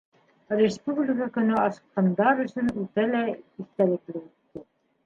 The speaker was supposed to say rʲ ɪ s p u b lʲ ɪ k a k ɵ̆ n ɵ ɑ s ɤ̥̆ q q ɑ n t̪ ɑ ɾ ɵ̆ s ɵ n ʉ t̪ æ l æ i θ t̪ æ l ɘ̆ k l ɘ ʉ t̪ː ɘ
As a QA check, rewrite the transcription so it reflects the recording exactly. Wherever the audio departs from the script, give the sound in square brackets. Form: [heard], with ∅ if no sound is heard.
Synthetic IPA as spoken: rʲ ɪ s p u b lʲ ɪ k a k ɵ̆ n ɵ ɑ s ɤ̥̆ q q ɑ n [d̪] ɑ ɾ ɵ̆ s ɵ n ʉ t̪ æ l æ i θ t̪ æ l ɘ̆ k l ɘ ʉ t̪ː ɘ

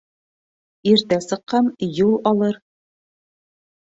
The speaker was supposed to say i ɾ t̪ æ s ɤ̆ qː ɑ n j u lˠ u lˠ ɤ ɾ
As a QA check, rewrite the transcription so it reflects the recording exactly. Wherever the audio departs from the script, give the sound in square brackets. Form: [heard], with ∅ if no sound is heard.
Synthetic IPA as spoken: i ɾ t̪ æ s ɤ̆ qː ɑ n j u lˠ [ɒ] lˠ ɤ ɾ

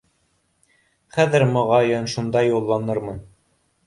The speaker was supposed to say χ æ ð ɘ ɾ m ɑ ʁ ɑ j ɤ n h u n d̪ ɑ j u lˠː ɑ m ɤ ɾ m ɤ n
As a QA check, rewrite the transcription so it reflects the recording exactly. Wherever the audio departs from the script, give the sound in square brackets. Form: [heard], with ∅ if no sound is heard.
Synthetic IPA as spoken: χ æ ð ɘ ɾ m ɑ ʁ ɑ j ɤ n [ʃ] u n d̪ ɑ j u lˠː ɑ [n] ɤ ɾ m ɤ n

